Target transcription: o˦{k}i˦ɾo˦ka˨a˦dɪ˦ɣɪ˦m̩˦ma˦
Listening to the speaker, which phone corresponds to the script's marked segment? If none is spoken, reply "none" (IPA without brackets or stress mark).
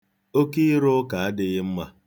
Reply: k